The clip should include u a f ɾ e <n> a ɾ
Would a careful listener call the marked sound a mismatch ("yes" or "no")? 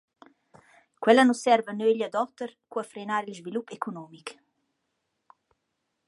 no